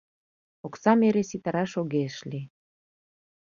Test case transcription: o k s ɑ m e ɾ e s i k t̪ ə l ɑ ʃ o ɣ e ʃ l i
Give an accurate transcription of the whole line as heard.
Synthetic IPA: o k s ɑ m e ɾ e s i t̪ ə ɾ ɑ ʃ o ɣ e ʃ l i